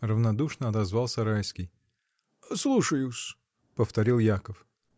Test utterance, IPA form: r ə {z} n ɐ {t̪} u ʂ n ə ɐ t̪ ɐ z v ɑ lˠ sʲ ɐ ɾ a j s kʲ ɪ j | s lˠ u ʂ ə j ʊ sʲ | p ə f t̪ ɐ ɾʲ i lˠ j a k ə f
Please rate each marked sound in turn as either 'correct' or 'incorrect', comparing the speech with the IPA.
incorrect: v, incorrect: d̪

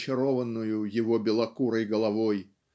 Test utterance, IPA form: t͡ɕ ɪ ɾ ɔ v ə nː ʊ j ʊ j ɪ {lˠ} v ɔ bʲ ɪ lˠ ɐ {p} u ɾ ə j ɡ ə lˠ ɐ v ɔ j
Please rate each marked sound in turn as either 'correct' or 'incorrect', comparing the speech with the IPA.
incorrect: none, incorrect: k

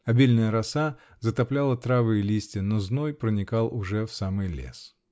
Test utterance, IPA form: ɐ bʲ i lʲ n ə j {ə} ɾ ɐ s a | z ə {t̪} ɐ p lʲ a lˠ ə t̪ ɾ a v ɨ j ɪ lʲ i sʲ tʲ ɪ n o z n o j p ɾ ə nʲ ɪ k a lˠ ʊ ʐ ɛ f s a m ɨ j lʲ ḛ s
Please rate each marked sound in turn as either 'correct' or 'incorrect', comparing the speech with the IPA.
correct, correct

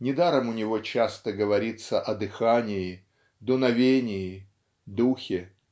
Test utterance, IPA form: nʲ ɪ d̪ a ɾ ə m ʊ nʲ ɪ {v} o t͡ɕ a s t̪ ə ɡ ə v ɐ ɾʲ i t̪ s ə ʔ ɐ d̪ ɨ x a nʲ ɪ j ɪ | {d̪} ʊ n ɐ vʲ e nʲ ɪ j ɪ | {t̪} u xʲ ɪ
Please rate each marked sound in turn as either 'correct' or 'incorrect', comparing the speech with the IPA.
correct, correct, incorrect: d̪

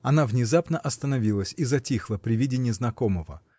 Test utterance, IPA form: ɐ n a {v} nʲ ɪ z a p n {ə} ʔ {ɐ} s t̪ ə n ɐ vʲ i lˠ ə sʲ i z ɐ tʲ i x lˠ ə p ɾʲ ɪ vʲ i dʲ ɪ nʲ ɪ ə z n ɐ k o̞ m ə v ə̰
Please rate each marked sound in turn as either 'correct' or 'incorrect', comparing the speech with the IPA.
correct, correct, correct

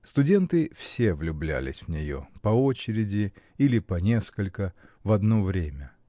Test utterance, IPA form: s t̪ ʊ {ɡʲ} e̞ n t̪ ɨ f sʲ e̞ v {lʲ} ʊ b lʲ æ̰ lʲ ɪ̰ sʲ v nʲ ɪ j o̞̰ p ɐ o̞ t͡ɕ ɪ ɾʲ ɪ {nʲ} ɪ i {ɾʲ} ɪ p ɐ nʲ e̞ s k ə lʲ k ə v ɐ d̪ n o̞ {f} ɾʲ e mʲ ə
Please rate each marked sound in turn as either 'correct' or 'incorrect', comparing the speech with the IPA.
incorrect: dʲ, correct, incorrect: dʲ, incorrect: lʲ, incorrect: v

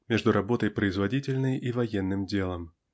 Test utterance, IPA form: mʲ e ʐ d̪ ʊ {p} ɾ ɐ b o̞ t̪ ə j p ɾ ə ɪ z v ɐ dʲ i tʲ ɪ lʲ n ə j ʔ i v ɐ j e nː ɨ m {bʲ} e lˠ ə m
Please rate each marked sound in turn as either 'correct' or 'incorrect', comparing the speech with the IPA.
incorrect: none, incorrect: dʲ

